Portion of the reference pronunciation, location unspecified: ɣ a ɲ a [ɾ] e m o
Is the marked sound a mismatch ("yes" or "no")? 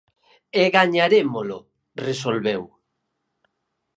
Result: no